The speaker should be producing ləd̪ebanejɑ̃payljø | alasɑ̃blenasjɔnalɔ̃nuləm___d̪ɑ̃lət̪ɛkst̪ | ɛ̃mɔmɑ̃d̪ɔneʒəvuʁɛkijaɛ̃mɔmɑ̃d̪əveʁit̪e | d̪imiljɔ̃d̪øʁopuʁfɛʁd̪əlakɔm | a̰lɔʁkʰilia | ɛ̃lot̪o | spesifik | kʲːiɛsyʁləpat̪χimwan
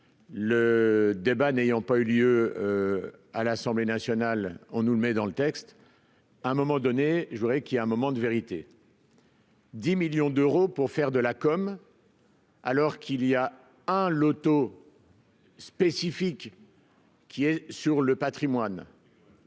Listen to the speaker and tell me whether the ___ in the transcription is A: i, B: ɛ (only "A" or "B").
B